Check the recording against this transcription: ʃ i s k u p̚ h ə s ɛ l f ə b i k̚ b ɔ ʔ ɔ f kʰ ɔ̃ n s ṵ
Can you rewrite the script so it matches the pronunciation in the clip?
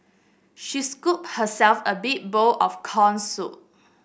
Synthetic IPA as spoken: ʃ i s k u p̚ h ə s ɛ l f ə b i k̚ b o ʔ ɔ f kʰ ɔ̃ n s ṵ